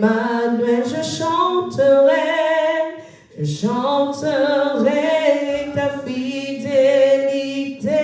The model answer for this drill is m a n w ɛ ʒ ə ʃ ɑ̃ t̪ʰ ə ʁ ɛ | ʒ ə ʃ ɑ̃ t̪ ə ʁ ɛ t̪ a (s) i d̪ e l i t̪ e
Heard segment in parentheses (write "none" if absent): f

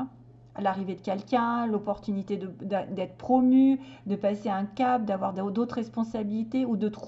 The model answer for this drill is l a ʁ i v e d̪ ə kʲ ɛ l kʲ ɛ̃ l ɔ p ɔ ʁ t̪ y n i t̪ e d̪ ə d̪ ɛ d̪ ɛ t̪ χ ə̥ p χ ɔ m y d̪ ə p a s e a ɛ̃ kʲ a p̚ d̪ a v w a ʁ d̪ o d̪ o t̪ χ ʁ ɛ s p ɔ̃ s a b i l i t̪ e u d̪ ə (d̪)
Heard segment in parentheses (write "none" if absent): t̪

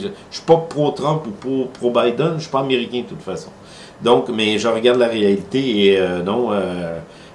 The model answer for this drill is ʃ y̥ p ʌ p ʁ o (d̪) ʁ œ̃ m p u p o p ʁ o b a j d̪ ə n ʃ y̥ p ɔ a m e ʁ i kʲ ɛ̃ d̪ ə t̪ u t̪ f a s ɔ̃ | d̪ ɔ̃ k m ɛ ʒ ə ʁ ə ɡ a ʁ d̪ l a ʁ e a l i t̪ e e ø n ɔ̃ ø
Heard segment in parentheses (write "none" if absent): t̪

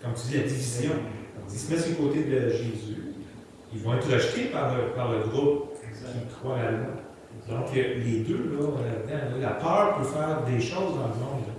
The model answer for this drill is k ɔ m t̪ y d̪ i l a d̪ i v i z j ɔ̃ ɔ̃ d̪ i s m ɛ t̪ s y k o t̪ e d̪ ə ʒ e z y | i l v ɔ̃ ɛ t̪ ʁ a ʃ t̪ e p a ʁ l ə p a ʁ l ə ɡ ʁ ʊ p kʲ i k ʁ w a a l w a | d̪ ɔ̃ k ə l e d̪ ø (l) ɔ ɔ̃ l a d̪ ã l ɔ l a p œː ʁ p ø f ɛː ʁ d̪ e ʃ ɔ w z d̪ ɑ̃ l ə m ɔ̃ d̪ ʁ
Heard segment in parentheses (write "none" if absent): l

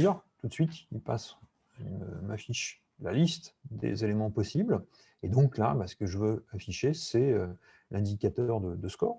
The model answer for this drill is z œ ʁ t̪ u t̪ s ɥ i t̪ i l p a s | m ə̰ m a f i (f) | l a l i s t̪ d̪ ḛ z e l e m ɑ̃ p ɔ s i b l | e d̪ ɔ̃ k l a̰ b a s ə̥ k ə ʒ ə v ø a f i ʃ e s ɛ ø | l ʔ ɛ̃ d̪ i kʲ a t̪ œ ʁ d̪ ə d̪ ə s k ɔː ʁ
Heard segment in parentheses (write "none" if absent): ʃ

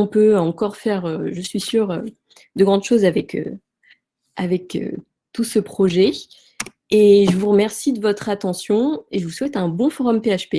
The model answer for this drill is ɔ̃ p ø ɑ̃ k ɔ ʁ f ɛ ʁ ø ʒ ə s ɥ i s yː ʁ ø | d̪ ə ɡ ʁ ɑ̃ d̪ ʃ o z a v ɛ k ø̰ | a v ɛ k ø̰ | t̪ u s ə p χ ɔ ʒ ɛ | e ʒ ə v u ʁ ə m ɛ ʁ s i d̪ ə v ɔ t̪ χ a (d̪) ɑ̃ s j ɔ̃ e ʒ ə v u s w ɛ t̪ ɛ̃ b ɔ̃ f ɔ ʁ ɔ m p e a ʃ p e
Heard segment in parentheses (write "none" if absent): t̪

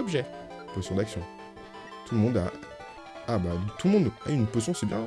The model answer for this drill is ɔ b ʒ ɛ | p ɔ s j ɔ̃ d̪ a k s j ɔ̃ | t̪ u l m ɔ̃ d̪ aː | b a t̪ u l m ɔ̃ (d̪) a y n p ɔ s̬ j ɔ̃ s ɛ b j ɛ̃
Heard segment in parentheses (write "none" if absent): d̪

